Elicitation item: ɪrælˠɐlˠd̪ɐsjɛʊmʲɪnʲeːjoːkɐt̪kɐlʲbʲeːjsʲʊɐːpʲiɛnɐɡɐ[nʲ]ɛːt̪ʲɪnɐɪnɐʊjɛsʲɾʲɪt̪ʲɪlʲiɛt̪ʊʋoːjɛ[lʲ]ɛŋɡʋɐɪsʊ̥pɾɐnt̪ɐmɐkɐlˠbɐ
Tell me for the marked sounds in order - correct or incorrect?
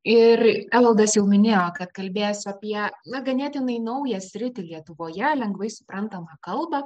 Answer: correct, correct

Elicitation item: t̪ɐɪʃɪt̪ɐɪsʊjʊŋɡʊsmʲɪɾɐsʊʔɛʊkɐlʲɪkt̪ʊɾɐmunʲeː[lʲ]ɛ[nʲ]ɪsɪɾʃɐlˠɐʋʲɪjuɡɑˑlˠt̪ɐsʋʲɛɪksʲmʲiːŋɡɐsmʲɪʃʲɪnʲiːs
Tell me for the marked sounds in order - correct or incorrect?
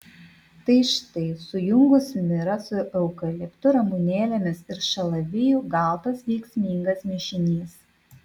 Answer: correct, incorrect

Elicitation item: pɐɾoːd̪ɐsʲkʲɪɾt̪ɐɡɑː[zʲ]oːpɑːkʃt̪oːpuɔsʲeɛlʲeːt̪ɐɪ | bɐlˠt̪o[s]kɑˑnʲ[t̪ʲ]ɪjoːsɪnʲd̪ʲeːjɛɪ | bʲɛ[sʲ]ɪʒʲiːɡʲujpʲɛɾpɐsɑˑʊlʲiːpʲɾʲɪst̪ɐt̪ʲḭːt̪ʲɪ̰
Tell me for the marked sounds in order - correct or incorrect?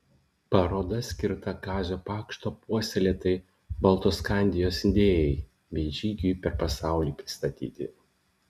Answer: correct, correct, incorrect, incorrect

